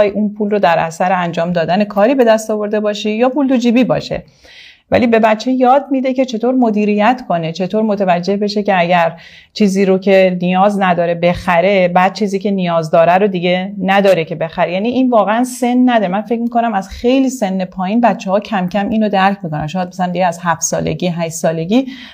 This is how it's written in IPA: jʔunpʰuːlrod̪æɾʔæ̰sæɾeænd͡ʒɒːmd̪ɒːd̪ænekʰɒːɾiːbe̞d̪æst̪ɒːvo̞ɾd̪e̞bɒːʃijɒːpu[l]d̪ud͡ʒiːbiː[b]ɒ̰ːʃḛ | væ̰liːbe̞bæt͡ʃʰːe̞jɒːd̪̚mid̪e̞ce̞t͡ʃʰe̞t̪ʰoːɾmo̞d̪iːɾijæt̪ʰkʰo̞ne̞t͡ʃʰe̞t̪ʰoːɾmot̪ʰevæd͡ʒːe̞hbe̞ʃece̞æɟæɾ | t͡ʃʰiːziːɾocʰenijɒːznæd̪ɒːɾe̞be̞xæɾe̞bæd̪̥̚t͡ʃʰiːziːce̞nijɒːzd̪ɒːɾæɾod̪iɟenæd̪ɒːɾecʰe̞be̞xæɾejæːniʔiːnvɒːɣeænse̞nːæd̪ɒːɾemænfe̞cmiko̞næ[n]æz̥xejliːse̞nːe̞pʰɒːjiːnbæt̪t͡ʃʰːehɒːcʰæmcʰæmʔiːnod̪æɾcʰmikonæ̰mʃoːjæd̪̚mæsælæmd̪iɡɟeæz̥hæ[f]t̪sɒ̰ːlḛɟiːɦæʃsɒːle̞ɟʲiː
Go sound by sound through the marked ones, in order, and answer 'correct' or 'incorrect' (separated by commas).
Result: correct, correct, incorrect, correct